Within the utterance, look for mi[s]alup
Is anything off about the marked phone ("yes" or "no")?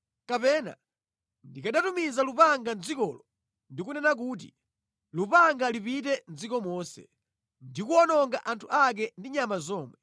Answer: yes